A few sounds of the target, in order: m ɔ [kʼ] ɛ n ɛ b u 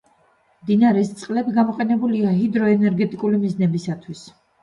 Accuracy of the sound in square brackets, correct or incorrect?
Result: incorrect